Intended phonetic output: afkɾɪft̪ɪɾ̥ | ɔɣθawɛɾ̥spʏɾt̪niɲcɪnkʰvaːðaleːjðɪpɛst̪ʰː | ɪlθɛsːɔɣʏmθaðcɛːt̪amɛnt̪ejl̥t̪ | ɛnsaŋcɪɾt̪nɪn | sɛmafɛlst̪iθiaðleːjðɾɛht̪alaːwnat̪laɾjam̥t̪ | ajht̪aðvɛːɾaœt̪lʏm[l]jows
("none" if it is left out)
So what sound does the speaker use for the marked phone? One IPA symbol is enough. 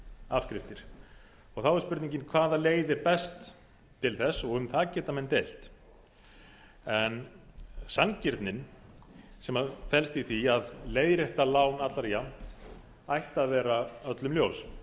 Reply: l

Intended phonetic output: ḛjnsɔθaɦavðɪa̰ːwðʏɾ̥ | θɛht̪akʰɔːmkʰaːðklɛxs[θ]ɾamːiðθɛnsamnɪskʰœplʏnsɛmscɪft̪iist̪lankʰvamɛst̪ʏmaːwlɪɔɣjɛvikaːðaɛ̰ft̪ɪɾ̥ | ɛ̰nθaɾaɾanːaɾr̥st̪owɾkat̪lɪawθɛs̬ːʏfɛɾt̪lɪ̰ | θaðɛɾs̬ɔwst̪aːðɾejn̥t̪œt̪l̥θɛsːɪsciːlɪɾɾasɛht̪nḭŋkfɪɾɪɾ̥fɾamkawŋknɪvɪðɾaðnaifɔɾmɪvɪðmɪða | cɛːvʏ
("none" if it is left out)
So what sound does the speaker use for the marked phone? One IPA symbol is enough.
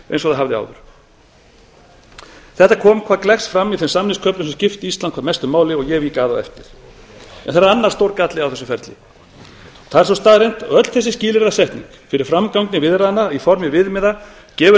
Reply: f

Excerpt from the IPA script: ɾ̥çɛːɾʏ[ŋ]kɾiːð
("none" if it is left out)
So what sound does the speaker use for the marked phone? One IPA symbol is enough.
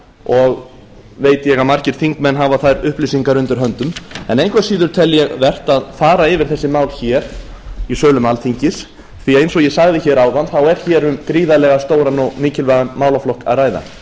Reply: m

